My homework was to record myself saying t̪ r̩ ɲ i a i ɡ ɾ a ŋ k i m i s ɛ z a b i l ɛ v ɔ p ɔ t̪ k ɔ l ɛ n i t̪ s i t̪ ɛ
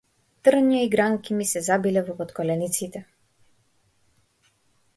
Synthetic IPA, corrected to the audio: t̪ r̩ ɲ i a i ɡ ɾ a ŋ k i m i s ɛ z a b i l ɛ v ɔ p ɔ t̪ k ɔ l ɛ n i t̪ s i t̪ ɛ